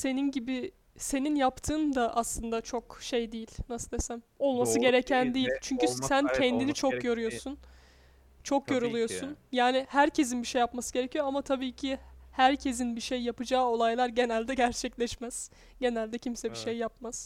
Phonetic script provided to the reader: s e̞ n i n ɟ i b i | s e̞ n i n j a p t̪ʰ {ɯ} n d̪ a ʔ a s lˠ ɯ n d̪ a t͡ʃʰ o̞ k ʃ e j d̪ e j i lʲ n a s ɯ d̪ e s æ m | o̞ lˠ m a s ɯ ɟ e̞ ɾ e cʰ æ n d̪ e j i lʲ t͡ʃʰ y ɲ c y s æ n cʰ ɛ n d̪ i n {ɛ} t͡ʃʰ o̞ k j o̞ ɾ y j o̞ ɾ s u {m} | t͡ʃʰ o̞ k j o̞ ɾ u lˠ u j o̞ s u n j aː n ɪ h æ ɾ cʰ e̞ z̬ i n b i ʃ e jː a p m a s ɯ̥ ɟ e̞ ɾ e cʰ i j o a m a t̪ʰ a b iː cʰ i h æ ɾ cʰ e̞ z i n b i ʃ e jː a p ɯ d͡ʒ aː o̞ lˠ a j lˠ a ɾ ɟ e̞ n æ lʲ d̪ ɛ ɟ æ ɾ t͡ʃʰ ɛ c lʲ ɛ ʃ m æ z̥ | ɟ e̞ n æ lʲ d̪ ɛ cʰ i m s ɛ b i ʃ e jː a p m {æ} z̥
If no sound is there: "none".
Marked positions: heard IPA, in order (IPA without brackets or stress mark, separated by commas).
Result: ɯː, i, n, a